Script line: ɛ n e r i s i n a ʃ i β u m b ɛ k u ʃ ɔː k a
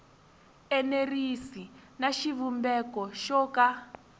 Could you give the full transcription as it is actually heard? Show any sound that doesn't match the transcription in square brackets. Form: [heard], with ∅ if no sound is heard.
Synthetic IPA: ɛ n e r i s i n a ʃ i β u m b ɛ k [ɔ] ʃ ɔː k a